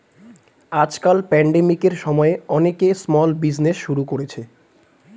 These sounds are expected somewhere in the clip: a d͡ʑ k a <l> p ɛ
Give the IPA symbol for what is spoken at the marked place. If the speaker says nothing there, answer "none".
l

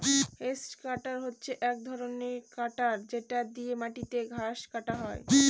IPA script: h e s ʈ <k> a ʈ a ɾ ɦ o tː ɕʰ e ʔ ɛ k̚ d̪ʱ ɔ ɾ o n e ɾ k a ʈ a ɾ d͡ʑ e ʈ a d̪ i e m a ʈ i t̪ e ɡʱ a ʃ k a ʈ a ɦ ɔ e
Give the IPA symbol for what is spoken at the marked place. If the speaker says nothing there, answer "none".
k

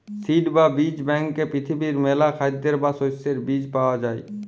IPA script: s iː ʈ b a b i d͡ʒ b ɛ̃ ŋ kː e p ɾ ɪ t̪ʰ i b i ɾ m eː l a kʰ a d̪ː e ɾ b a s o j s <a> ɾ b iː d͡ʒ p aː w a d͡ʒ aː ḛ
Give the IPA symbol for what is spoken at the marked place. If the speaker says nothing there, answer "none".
e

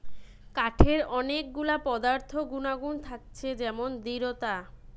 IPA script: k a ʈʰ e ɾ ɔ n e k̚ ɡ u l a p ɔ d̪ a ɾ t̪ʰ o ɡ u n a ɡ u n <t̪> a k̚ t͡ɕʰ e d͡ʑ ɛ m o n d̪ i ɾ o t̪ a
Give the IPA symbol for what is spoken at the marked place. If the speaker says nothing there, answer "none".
t̪ʰ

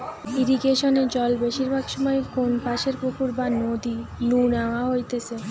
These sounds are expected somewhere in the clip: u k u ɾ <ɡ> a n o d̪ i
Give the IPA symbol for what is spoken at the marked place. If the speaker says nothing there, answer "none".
b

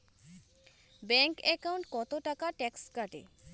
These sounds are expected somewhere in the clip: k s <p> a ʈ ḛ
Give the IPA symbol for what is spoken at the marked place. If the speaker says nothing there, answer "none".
k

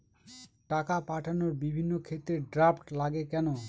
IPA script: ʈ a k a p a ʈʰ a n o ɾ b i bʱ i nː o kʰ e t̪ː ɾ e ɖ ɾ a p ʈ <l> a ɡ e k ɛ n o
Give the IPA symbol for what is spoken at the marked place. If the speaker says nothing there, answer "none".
l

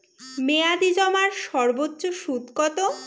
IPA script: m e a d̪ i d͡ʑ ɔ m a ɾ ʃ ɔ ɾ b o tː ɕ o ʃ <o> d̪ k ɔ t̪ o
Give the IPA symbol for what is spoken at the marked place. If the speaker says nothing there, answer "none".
u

